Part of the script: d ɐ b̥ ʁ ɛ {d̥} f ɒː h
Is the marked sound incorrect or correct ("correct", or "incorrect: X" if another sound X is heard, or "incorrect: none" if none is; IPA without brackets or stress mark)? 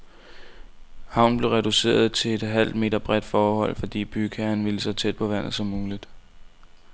correct